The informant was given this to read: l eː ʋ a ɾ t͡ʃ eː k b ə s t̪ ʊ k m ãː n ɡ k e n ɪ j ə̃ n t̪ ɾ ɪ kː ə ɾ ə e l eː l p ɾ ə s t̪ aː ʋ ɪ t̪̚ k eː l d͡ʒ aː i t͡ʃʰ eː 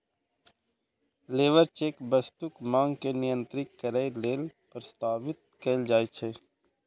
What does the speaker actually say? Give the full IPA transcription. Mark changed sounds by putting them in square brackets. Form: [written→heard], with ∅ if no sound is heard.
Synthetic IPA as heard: l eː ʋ [a→ə] ɾ t͡ʃ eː k b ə s t̪ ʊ k m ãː [n→ŋ] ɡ k e n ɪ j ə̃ n t̪ ɾ ɪ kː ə ɾ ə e l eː l p ɾ ə s t̪ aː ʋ ɪ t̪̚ k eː l d͡ʒ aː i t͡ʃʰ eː